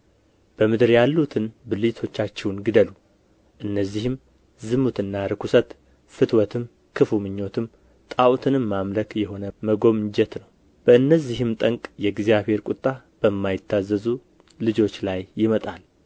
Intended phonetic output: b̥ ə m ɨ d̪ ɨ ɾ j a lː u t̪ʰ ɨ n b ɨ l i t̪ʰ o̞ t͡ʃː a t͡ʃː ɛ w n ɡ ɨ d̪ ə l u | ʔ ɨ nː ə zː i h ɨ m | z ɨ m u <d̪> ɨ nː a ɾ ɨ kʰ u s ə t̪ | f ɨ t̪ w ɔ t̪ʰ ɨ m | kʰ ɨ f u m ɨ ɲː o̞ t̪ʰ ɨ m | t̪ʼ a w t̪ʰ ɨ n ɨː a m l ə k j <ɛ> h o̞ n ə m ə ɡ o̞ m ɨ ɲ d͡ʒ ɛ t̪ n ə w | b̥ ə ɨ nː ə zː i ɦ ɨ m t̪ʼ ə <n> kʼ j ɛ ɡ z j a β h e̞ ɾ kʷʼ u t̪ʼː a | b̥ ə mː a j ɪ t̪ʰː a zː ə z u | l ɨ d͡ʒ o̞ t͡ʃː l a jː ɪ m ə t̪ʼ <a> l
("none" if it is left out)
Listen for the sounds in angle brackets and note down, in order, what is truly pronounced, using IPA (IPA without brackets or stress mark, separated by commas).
t̪, ɛ, ŋ, a